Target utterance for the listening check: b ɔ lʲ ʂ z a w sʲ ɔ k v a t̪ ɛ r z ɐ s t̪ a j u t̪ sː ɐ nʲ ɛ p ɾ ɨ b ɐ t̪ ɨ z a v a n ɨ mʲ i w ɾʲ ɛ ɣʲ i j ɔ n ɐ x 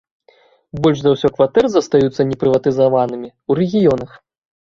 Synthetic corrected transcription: b ɔ lʲ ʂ z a w sʲ ɔ k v a t̪ ɛ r z ɐ s t̪ a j u t̪ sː ɐ nʲ ɛ p ɾ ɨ v ɐ t̪ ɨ z a v a n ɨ mʲ i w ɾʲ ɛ ɣʲ i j ɔ n ɐ x